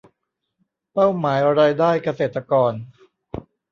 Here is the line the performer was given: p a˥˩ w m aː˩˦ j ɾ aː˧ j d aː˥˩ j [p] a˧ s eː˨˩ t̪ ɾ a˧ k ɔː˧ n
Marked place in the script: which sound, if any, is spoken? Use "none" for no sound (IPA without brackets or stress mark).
k